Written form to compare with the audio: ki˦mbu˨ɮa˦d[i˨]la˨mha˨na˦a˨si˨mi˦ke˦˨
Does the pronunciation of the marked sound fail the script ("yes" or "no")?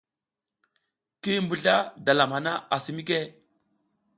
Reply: yes